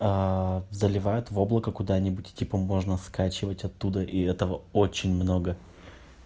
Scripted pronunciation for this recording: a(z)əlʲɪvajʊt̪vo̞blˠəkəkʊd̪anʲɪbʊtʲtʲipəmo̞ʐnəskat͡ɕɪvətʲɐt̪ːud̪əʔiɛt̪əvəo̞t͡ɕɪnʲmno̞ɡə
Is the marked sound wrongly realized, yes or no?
no